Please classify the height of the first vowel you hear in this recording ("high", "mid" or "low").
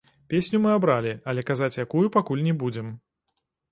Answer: mid